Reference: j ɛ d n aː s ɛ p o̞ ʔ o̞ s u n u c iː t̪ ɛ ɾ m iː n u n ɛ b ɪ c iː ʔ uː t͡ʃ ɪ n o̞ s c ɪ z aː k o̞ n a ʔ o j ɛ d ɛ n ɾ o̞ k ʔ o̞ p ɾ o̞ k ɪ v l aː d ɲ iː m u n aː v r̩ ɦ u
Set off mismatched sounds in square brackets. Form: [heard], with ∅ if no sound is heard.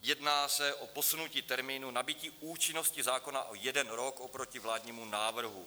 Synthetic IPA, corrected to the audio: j ɛ d n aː s ɛ [ʔ] o̞ [p] o̞ s u n u c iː t̪ ɛ ɾ m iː n u n [a] b ɪ c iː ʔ uː t͡ʃ ɪ n o̞ s c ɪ z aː k o̞ n a ʔ o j ɛ d ɛ n ɾ o̞ k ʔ o̞ p ɾ o̞ [c] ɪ v l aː d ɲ iː m u n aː v r̩ ɦ u